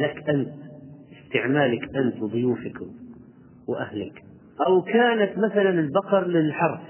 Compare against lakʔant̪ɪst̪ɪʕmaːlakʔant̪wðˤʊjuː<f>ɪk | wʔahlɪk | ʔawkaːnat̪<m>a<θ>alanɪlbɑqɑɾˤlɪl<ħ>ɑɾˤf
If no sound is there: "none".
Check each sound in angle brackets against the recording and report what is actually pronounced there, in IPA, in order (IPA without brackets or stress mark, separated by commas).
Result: f, m, θ, ħ